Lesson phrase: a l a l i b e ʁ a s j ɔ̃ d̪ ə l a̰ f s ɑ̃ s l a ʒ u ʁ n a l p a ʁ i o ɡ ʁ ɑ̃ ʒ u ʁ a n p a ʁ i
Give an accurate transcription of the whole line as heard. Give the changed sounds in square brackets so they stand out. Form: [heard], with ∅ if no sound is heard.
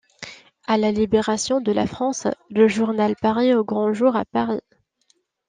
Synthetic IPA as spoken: a l a l i b e ʁ a s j ɔ̃ d̪ ə l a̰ f [χ] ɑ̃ s l [ə] ʒ u ʁ n a l p a ʁ i o ɡ ʁ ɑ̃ ʒ u ʁ a [∅] p a ʁ i